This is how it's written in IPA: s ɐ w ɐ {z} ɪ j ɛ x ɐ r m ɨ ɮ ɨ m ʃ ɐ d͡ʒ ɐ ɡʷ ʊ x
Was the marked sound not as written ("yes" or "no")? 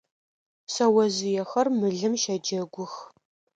no